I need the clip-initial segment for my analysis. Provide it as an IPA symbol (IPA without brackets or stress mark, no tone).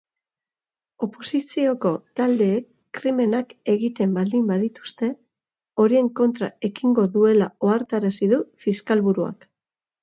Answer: o̞